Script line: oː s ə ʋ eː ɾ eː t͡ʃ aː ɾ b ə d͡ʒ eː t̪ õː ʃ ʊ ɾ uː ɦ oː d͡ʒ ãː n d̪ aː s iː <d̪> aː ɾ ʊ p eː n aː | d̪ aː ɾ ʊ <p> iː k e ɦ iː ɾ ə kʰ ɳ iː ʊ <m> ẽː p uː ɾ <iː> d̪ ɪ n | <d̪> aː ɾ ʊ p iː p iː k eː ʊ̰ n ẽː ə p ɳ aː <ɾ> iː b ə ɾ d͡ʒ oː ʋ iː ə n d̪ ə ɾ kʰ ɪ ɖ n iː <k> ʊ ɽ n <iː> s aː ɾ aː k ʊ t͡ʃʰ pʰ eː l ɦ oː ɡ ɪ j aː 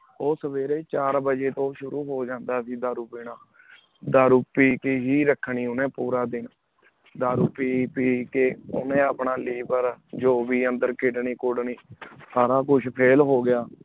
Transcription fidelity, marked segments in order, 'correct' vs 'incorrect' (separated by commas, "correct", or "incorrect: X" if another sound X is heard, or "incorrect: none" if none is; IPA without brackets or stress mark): correct, correct, incorrect: n, incorrect: aː, correct, incorrect: l, correct, correct